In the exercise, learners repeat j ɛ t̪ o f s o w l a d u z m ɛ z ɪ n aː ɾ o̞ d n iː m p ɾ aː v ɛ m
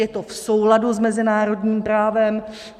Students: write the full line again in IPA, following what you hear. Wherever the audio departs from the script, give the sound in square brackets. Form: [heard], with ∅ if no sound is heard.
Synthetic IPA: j ɛ t̪ o f s o w l a d u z m ɛ z ɪ n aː ɾ o̞ d [ɲ] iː m p ɾ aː v ɛ m